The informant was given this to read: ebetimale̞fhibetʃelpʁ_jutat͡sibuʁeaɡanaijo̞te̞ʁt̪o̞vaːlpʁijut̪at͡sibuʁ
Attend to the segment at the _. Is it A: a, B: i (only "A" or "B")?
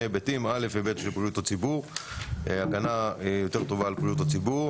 B